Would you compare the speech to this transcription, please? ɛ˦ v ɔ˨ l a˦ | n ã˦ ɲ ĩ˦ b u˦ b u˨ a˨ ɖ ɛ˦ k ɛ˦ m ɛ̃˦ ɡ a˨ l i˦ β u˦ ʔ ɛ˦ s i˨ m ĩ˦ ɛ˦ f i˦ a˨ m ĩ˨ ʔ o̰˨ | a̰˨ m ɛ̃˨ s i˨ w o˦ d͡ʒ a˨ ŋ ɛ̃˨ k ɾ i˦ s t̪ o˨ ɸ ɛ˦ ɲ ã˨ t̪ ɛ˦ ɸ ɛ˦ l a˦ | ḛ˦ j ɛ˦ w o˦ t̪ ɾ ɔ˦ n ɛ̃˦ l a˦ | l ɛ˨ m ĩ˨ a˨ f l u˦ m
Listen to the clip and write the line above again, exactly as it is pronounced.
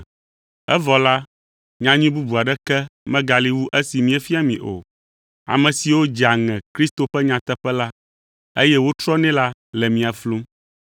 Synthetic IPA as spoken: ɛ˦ v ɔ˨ l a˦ | ɲ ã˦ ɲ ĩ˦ b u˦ b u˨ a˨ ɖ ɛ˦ k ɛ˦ m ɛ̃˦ ɡ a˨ l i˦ w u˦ ʔ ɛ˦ s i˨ m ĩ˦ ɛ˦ f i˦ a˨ m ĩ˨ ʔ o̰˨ | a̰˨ m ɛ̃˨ s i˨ w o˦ d͡ʒ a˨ ŋ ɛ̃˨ k ɾ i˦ s t̪ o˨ ɸ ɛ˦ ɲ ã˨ t̪ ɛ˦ ɸ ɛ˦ l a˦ | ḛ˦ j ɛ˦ w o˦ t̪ ɾ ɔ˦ n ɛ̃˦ l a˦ | l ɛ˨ m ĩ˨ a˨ f l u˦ m